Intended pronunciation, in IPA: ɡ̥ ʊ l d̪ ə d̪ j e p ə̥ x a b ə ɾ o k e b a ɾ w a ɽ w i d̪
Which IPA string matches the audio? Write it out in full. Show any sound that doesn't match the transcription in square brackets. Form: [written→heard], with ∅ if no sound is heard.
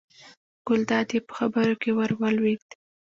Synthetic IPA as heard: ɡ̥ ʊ l d̪ [ə→ɑ] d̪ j e p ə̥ x a b ə ɾ o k e [b→w] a ɾ w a [ɽ→l] w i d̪